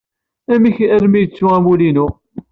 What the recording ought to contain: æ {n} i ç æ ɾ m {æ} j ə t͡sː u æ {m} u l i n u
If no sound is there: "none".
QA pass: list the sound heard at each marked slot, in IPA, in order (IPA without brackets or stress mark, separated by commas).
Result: m, i, m